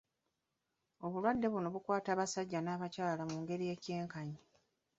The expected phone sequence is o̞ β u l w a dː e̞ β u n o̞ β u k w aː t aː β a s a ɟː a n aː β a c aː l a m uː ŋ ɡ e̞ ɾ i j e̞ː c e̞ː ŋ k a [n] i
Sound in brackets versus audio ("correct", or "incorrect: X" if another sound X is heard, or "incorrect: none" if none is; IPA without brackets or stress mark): incorrect: ɲ